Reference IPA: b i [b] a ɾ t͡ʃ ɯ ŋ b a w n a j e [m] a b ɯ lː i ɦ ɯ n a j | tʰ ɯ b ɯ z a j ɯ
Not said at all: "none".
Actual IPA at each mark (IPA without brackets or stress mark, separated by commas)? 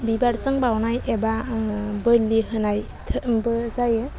b, b